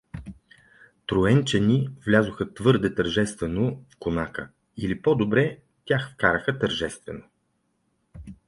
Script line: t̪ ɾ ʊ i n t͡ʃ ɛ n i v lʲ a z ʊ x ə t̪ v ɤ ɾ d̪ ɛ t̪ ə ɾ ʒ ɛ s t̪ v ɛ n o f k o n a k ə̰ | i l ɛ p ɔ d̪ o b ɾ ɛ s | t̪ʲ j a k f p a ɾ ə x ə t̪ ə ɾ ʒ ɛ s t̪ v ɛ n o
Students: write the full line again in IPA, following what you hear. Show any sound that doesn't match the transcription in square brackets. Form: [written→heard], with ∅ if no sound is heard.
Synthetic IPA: t̪ ɾ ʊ [i→ɛ] n t͡ʃ ɛ n i v lʲ a z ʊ x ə t̪ v ɤ ɾ d̪ ɛ t̪ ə ɾ ʒ ɛ s t̪ v ɛ n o f k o n a k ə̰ | i l [ɛ→i] p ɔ d̪ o b ɾ ɛ [s→∅] | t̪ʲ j a [k→x] f [p→k] a ɾ ə x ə t̪ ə ɾ ʒ ɛ s t̪ v ɛ n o